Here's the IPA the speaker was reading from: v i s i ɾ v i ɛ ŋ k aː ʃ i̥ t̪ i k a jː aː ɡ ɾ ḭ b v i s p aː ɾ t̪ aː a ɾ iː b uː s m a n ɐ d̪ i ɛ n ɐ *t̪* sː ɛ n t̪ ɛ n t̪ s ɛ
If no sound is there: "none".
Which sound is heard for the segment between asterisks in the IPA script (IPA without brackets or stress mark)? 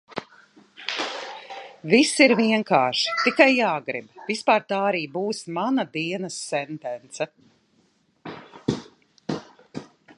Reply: none